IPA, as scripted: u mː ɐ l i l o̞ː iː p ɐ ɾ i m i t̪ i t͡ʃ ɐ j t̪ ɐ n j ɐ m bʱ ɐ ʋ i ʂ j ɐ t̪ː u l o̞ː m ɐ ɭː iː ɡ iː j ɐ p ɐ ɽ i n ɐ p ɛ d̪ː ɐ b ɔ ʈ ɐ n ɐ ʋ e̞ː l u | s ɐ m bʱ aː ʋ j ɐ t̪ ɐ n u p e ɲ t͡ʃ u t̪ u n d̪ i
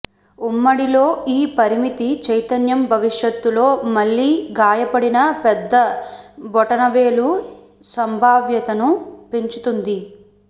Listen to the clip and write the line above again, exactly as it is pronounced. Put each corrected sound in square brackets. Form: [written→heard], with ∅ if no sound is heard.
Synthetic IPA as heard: u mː ɐ [l→ɽ] i l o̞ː iː p ɐ ɾ i m i t̪ i t͡ʃ ɐ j t̪ ɐ n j ɐ m bʱ ɐ ʋ i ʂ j ɐ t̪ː u l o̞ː m ɐ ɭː iː ɡ [iː→aː] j ɐ p ɐ ɽ i n ɐ p ɛ d̪ː ɐ b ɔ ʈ ɐ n ɐ ʋ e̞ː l u | s ɐ m bʱ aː ʋ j ɐ t̪ ɐ n u p e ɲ t͡ʃ u t̪ u n d̪ i

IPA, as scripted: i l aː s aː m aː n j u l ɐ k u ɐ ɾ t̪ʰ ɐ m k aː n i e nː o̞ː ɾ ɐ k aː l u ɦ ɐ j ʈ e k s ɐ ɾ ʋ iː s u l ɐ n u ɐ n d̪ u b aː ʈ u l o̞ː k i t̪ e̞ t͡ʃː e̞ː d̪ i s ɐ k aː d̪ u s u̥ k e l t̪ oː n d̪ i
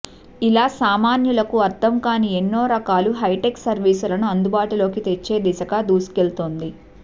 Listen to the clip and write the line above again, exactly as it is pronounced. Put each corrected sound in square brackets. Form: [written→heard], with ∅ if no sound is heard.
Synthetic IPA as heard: i l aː s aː m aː n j u l ɐ k u ɐ ɾ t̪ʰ ɐ m k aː n i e nː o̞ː ɾ ɐ k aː l u ɦ ɐ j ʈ e k s ɐ ɾ ʋ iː s u l ɐ n u ɐ n d̪ u b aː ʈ u l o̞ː k i t̪ e̞ t͡ʃː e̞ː d̪ i s ɐ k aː d̪ [u→uː] s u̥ k e l t̪ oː n d̪ i

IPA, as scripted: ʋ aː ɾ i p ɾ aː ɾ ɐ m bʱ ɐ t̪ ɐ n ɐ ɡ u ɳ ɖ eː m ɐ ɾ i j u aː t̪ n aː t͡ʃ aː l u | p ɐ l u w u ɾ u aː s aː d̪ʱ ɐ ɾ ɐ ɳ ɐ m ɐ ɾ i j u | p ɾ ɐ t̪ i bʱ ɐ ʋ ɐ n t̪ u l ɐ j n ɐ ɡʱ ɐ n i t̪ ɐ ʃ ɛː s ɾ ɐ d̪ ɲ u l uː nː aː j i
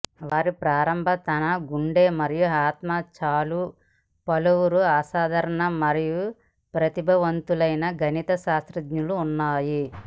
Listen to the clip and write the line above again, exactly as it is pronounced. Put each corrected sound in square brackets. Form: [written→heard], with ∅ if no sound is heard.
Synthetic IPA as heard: ʋ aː ɾ i p ɾ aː ɾ ɐ m bʱ ɐ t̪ ɐ n ɐ ɡ u ɳ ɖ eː m ɐ ɾ i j u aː t̪ [n→m] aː t͡ʃ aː l u | p ɐ l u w u ɾ u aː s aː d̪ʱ ɐ ɾ ɐ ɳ ɐ m ɐ ɾ i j u | p ɾ ɐ t̪ i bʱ ɐ ʋ ɐ n t̪ u l ɐ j n ɐ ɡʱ ɐ n i t̪ ɐ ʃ [ɛː→aː] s ɾ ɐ d̪ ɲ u l uː nː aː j i

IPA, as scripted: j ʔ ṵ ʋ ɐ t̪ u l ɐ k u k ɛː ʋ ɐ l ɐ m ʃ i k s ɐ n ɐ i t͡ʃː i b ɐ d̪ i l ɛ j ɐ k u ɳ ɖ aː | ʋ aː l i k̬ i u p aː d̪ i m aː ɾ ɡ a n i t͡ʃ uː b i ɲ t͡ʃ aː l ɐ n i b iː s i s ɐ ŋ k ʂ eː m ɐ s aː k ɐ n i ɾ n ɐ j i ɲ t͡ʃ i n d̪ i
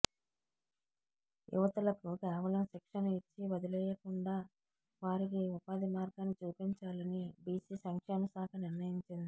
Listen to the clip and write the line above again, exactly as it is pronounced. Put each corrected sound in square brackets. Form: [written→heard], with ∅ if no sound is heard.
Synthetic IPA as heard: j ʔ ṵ ʋ ɐ t̪ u l ɐ k u k ɛː ʋ ɐ l ɐ m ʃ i k [s→ʂ] ɐ n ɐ i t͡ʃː i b ɐ d̪ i l ɛ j ɐ k u ɳ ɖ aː | ʋ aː [l→ɾ] i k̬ i u p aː d̪ i m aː ɾ ɡ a n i t͡ʃ uː [b→p] i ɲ t͡ʃ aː l ɐ n i b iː s i s ɐ ŋ k ʂ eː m ɐ s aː k ɐ n i ɾ n ɐ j i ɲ t͡ʃ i n d̪ i

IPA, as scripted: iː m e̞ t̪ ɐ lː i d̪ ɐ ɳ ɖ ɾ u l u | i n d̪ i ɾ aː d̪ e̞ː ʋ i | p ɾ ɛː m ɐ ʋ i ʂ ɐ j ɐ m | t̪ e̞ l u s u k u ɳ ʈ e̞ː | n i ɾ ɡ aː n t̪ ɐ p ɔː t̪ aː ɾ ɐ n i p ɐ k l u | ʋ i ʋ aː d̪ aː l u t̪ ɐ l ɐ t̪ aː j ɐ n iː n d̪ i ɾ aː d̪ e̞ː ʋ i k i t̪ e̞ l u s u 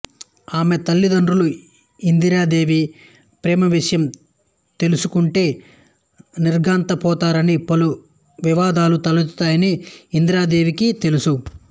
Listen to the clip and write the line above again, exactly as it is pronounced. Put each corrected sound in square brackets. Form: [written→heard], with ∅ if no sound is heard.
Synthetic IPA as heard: [iː→aː] m e̞ t̪ ɐ lː i d̪ ɐ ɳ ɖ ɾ u l u | i n d̪ i ɾ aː d̪ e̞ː ʋ i | p ɾ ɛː m ɐ ʋ i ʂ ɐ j ɐ m | t̪ e̞ l u s u k u ɳ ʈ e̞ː | n i ɾ ɡ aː n t̪ ɐ p ɔː t̪ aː ɾ ɐ n i p ɐ [k→∅] l u | ʋ i ʋ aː d̪ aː l u t̪ ɐ l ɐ t̪ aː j ɐ n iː n d̪ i ɾ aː d̪ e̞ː ʋ i k i t̪ e̞ l u s u

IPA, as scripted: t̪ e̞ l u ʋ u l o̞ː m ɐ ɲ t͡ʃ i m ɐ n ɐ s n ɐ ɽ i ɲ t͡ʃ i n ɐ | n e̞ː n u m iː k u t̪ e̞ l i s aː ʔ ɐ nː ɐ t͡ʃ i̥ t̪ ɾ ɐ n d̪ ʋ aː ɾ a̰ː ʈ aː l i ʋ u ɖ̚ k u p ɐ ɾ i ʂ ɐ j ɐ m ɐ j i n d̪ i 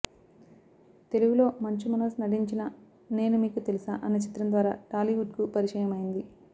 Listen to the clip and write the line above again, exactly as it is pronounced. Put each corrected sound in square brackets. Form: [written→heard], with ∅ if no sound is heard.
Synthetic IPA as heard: t̪ e̞ l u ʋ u l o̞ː m ɐ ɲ t͡ʃ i m ɐ n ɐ s n ɐ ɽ i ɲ t͡ʃ i n ɐ | n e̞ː n u m iː k u t̪ e̞ l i s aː ʔ ɐ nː ɐ t͡ʃ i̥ t̪ ɾ ɐ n d̪ ʋ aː ɾ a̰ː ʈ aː l i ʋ u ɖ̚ k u p ɐ ɾ i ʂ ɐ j ɐ m ɐ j i n d̪ i

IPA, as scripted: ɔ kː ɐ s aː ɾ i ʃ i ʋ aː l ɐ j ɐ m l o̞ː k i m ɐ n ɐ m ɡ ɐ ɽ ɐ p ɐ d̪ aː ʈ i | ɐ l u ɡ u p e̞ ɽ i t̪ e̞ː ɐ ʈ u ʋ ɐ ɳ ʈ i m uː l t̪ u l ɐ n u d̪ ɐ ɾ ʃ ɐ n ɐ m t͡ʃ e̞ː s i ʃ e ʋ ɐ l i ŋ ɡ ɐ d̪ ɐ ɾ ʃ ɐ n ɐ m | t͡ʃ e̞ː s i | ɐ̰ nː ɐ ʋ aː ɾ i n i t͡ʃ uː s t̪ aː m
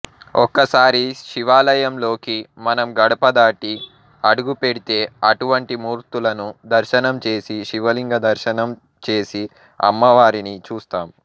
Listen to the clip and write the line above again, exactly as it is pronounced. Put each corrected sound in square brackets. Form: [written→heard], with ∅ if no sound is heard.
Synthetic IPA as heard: ɔ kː ɐ s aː ɾ i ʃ i ʋ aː l ɐ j ɐ m l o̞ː k i m ɐ n ɐ m ɡ ɐ ɽ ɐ p ɐ d̪ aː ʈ i | ɐ [l→ɽ] u ɡ u p e̞ ɽ i t̪ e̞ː ɐ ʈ u ʋ ɐ ɳ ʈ i m uː [l→ɾ] t̪ u l ɐ n u d̪ ɐ ɾ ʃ ɐ n ɐ m t͡ʃ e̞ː s i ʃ [e→i] ʋ ɐ l i ŋ ɡ ɐ d̪ ɐ ɾ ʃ ɐ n ɐ m | t͡ʃ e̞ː s i | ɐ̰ [nː→mː] ɐ ʋ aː ɾ i n i t͡ʃ uː s t̪ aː m

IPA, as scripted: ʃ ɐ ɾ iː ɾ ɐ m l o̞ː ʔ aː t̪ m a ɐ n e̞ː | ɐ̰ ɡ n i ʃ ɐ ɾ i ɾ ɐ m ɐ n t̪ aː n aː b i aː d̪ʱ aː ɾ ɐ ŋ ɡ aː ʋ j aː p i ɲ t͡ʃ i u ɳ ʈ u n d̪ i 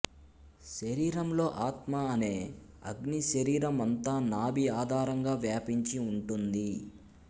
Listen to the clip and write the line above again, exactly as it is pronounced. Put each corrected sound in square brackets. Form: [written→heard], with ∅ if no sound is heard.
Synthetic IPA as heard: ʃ ɐ ɾ iː ɾ ɐ m l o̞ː ʔ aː t̪ m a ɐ n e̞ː | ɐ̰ ɡ n i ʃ ɐ ɾ [i→iː] ɾ ɐ m ɐ n t̪ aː n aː b i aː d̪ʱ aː ɾ ɐ ŋ ɡ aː ʋ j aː p i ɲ t͡ʃ i u ɳ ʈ u n d̪ i

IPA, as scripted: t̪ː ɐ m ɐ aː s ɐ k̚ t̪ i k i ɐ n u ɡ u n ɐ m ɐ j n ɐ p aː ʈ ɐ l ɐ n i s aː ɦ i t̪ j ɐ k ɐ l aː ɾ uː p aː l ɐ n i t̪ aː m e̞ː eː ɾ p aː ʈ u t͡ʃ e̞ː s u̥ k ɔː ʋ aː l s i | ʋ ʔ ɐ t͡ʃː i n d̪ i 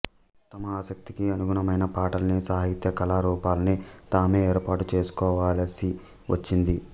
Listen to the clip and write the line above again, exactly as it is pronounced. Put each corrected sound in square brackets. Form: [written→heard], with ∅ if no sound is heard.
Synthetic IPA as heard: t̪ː ɐ m ɐ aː s ɐ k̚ t̪ i k i ɐ n u ɡ u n ɐ m ɐ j n ɐ p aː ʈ ɐ l ɐ n i s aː ɦ i t̪ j ɐ k ɐ l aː ɾ uː p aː l ɐ n i t̪ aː m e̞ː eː ɾ p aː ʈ u t͡ʃ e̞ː s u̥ k ɔː ʋ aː l s i | ʋ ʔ ɐ t͡ʃː i n d̪ i

